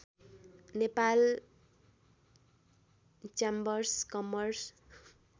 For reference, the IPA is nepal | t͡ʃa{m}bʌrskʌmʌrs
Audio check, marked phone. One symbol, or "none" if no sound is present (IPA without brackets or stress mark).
m